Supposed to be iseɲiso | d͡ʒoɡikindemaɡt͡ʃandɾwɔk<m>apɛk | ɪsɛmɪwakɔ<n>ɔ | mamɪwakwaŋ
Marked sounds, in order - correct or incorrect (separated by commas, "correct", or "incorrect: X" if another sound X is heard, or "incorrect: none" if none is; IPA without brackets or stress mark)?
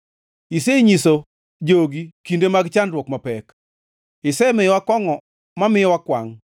correct, incorrect: ŋ